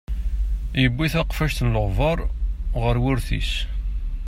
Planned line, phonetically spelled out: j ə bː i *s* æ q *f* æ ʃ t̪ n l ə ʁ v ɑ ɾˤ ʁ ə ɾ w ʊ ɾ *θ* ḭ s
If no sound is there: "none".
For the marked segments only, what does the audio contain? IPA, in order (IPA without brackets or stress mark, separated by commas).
θ, f, θ